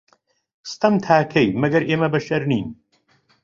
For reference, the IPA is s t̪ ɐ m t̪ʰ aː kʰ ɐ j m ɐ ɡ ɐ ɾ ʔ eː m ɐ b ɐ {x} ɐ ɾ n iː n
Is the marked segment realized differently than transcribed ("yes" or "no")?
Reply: yes